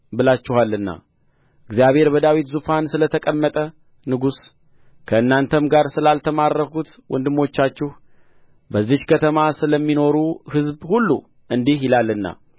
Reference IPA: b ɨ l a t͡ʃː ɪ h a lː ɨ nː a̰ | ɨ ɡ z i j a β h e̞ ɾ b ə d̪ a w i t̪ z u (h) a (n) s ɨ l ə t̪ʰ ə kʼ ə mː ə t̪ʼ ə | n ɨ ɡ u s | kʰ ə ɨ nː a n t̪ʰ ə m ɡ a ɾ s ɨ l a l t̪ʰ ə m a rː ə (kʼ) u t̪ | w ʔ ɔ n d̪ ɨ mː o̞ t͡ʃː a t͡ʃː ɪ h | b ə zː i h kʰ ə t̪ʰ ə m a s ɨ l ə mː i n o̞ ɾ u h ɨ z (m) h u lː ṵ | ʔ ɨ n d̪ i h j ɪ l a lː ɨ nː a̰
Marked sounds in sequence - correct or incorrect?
incorrect: f, correct, incorrect: k, incorrect: b

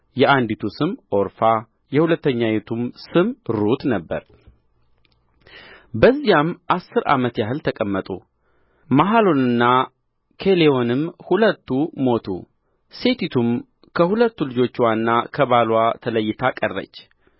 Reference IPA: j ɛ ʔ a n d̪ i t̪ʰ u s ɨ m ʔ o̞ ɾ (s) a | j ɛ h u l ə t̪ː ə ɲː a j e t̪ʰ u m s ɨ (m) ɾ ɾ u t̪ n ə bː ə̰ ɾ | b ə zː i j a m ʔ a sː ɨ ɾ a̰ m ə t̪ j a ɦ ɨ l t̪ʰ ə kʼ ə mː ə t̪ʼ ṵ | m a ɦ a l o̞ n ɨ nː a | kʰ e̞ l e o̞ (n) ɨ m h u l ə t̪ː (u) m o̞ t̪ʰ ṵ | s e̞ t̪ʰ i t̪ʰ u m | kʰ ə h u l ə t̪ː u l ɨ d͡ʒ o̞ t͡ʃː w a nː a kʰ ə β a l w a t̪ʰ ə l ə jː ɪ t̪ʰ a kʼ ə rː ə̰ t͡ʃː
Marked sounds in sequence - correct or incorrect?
incorrect: f, correct, correct, correct

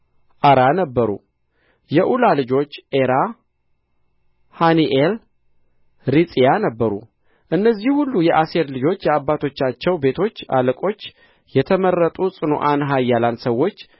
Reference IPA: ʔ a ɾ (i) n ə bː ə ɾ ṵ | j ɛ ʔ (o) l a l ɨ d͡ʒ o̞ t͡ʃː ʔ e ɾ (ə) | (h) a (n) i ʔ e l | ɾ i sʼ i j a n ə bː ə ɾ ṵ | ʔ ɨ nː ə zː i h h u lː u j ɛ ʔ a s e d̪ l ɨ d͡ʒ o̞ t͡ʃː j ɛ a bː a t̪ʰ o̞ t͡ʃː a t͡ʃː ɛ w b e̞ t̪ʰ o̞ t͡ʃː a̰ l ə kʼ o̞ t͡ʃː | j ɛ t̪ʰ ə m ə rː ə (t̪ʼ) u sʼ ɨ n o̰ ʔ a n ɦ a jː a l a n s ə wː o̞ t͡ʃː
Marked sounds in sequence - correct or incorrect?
incorrect: a, incorrect: u, incorrect: a, correct, correct, correct

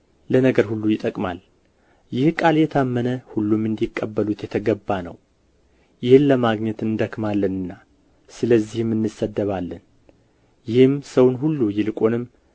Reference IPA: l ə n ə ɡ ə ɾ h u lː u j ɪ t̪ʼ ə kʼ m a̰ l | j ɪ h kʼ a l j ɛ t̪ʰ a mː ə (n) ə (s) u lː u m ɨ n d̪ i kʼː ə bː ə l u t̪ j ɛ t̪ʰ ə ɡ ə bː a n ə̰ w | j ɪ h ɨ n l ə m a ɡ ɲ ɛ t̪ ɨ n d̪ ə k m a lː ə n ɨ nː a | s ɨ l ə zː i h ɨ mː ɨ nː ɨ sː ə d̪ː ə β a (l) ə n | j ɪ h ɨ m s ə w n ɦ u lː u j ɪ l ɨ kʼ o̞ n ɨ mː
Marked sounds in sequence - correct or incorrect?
correct, incorrect: h, incorrect: lː

